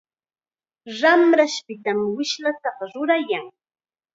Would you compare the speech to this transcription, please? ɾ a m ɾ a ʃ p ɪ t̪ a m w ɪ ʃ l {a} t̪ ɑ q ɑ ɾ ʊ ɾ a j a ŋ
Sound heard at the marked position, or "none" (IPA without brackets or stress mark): a